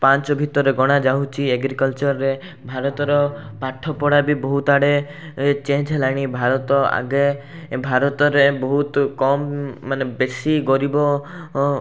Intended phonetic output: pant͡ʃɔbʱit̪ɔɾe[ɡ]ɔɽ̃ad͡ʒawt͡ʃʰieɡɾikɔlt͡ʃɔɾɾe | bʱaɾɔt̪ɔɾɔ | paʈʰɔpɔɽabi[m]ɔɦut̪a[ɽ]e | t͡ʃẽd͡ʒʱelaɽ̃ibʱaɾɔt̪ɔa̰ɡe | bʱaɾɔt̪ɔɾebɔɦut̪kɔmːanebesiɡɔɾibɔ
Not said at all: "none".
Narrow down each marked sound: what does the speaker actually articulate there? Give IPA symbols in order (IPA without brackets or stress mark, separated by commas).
ɡ, b, ɽ